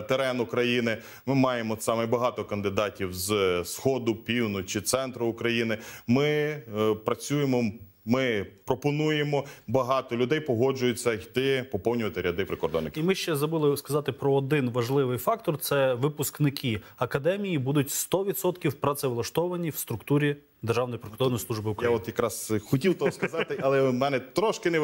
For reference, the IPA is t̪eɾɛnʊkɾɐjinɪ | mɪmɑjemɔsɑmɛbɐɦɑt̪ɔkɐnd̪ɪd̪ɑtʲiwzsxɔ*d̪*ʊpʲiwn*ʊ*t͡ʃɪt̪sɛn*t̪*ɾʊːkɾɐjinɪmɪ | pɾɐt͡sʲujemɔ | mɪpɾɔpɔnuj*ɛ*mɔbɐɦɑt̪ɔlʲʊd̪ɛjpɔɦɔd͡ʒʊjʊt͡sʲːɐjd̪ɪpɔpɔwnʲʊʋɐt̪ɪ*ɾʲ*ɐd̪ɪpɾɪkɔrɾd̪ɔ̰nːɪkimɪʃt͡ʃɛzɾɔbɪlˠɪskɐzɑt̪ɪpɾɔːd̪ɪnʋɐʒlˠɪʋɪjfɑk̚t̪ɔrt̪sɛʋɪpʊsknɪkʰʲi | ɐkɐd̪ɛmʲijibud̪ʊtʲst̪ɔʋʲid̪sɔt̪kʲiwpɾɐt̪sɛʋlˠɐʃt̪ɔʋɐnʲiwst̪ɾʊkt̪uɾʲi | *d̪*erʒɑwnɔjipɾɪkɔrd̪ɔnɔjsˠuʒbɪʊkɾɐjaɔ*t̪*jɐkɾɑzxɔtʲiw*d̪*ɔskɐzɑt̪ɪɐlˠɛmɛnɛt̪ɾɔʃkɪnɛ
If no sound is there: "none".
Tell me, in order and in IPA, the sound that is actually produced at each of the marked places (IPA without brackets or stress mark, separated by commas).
d̪, ʊ, t̪, e, ɾʲ, d̪, t̪, t̪